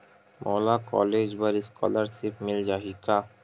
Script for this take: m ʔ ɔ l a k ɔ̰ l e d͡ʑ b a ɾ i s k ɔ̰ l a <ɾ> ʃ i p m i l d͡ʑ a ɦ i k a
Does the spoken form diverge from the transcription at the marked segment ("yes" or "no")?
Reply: no